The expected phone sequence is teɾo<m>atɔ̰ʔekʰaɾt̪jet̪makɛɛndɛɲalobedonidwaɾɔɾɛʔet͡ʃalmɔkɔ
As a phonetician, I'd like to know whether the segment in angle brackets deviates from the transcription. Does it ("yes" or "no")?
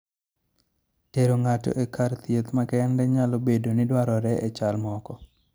yes